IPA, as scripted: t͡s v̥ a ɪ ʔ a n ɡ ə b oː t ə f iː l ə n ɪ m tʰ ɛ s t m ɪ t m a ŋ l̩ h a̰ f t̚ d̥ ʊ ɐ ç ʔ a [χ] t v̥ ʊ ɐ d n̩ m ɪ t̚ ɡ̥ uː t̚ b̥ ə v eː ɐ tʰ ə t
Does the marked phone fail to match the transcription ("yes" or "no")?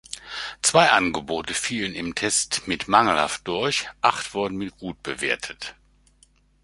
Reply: no